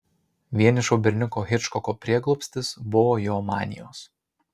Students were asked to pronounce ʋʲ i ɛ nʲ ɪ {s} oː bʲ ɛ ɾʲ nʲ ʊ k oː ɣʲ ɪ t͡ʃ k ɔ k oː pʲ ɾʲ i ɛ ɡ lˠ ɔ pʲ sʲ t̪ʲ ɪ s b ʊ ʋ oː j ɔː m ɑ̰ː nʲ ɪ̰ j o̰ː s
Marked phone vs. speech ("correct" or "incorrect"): incorrect